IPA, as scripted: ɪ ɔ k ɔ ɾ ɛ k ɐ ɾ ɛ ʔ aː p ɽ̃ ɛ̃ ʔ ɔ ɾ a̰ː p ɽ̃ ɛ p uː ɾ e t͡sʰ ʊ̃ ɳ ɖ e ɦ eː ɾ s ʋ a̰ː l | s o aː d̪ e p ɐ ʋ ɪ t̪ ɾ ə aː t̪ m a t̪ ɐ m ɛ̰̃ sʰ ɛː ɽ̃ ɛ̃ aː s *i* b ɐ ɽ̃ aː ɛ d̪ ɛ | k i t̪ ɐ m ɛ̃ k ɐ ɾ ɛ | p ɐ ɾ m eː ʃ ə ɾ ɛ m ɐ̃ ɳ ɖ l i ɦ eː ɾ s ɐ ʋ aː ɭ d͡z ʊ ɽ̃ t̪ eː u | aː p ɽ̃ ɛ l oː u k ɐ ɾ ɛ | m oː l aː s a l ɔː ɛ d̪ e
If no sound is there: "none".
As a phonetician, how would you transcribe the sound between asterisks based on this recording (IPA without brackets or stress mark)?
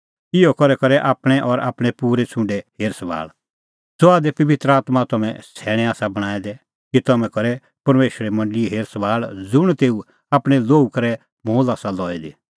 a